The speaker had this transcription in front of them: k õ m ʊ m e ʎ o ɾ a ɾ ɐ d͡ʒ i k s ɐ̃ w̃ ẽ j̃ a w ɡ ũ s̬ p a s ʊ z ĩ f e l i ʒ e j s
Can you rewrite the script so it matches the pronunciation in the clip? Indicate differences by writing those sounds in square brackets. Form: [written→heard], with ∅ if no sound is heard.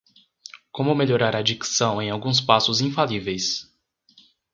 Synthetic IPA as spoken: k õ m ʊ m e ʎ o ɾ a ɾ [ɐ→a] d͡ʒ i k s ɐ̃ w̃ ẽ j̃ a w ɡ ũ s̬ p a s ʊ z ĩ f [e→a] l i [ʒ→v] e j s